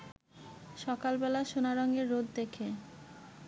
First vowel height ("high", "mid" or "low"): mid